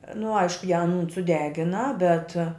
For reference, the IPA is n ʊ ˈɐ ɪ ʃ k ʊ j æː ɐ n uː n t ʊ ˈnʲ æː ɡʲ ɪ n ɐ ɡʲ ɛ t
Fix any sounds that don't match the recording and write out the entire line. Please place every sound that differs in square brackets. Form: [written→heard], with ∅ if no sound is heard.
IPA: n ʊ ˈɐ ɪ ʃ k ʊ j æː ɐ n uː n [t→s] ʊ [ˈnʲ→ˈdʲ] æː ɡʲ ɪ n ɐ [ɡʲ→bʲ] ɛ t